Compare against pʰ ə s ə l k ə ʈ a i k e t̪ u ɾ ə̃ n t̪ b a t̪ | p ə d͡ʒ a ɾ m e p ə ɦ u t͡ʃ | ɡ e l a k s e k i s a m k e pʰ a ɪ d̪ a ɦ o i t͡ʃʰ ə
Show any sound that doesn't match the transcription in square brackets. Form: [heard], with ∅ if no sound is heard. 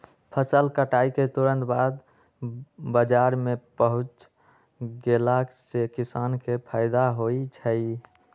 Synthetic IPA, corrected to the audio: pʰ ə s ə l k ə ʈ a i k e t̪ u ɾ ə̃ n t̪ b a [d̪] | [b] ə d͡ʒ a ɾ m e p ə ɦ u t͡ʃ | ɡ e l a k s e k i s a [n] k e pʰ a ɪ d̪ a ɦ o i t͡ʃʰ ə